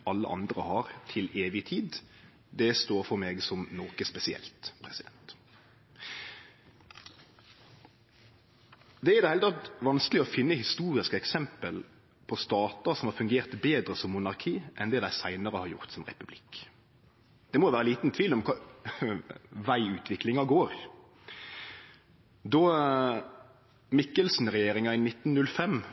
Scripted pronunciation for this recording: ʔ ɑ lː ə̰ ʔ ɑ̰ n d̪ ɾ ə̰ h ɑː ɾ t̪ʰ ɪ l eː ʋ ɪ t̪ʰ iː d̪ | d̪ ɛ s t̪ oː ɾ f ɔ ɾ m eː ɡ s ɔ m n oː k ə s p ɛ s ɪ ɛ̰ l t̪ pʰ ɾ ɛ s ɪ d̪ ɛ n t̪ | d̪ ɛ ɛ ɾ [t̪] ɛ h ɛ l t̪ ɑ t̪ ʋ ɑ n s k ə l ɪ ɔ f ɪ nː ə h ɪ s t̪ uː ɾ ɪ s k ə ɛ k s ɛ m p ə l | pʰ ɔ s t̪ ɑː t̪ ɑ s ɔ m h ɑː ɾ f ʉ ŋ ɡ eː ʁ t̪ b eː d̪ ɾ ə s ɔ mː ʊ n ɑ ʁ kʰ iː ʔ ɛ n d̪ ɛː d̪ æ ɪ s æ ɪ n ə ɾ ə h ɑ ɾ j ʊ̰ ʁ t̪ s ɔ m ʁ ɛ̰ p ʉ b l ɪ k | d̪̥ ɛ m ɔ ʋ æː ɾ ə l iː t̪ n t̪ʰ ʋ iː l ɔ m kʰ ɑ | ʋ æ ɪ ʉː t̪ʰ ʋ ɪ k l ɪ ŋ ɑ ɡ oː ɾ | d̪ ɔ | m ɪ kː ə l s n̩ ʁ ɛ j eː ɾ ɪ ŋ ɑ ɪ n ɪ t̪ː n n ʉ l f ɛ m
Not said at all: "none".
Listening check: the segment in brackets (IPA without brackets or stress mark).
d̪